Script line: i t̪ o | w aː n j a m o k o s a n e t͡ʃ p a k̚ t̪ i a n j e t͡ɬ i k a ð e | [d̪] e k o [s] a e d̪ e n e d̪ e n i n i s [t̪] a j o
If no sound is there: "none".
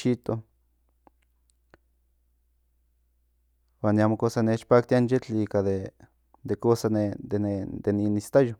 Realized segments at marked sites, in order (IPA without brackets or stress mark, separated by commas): d̪, s, t̪